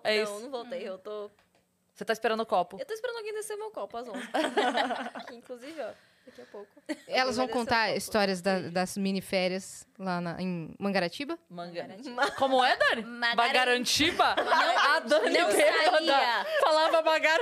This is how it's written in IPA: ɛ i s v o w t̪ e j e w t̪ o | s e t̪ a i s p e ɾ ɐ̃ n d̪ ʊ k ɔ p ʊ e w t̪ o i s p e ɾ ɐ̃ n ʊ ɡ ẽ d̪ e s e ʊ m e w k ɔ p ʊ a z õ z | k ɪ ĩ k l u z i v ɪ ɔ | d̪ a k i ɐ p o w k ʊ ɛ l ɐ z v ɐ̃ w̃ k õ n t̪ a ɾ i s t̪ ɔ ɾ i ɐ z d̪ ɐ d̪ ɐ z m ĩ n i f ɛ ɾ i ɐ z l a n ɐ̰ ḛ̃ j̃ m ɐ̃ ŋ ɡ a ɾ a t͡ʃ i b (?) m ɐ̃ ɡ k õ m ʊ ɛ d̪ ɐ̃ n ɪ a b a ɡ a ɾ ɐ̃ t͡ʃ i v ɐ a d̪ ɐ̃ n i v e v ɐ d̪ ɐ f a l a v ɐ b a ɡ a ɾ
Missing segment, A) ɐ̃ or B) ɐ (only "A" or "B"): B